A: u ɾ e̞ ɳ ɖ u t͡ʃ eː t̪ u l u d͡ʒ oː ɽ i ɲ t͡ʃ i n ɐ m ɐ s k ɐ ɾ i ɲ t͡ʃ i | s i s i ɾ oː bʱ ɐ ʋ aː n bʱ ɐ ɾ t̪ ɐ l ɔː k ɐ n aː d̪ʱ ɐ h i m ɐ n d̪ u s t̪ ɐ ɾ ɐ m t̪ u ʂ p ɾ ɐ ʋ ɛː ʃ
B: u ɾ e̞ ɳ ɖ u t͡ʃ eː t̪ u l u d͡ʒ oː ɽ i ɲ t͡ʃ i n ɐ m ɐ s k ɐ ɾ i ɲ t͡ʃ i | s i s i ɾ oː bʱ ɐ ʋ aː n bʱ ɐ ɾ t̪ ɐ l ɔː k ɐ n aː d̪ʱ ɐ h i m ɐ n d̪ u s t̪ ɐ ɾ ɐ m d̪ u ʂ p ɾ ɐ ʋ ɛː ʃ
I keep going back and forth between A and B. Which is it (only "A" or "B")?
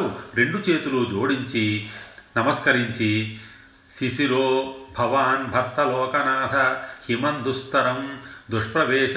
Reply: B